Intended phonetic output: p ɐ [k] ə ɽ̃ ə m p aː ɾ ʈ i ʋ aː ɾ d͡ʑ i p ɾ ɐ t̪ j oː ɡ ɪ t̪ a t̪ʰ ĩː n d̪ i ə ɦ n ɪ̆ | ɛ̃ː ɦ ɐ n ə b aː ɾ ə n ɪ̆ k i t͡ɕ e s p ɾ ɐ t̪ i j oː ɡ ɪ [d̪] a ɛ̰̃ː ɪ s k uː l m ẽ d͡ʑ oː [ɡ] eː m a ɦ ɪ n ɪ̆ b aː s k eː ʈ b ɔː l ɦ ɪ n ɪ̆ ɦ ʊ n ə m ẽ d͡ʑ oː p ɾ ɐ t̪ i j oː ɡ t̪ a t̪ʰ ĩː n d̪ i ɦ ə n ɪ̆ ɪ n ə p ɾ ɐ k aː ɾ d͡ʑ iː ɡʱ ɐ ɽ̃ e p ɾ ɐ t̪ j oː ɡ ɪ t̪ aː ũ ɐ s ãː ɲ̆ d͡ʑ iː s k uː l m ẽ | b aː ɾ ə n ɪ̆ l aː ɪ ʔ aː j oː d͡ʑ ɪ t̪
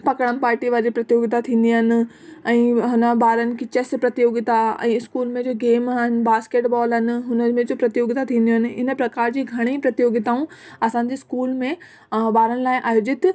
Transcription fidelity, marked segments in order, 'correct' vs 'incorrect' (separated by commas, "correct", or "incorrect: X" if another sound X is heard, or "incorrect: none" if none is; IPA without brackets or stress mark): correct, incorrect: t̪, correct